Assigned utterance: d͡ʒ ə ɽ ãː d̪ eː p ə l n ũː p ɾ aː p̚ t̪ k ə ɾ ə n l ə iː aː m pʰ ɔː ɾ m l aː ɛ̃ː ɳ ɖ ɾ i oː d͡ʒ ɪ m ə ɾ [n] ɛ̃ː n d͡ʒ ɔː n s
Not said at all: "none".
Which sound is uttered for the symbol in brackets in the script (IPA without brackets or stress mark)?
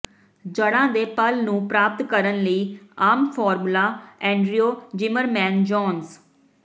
m